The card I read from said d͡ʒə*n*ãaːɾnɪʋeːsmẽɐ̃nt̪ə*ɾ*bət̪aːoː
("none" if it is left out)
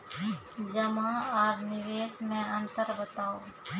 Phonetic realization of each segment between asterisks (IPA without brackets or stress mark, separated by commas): m, ɾ